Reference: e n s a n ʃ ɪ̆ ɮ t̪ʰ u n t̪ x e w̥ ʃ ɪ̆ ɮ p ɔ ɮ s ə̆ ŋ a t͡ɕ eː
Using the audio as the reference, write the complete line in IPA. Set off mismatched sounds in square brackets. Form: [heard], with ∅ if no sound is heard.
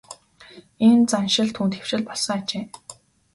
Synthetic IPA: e n [t͡s] a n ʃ ɪ̆ ɮ t̪ʰ [uː] n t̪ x e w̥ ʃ ɪ̆ ɮ p ɔ ɮ s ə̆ ŋ a t͡ɕ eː